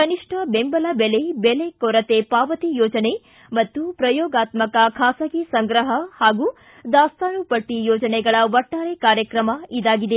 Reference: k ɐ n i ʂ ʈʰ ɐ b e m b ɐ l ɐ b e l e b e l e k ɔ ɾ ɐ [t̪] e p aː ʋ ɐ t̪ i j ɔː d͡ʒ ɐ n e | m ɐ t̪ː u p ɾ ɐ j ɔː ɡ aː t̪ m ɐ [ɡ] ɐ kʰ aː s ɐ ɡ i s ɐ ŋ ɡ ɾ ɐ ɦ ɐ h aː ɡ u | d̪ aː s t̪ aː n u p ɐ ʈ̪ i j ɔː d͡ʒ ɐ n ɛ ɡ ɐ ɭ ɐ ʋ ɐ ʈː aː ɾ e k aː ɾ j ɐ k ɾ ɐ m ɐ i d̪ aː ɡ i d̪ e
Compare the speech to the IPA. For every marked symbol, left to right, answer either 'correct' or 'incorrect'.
correct, incorrect: k

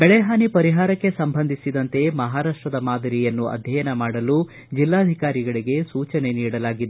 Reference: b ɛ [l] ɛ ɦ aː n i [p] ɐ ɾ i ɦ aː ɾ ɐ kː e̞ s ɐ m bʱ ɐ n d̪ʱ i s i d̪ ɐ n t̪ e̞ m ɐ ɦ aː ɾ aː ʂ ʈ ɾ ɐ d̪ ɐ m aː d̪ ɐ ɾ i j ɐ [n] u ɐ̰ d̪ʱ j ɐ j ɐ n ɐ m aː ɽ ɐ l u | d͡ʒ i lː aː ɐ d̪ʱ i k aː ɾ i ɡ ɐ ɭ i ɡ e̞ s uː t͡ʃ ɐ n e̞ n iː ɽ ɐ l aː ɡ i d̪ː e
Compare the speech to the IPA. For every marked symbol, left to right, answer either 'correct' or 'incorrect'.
incorrect: ɭ, correct, incorrect: nː

